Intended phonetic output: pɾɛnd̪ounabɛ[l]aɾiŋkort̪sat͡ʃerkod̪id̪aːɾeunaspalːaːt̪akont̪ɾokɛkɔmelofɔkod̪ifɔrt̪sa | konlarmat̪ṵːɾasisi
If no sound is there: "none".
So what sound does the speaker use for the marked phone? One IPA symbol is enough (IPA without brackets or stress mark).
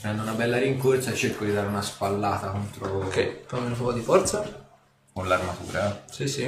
lː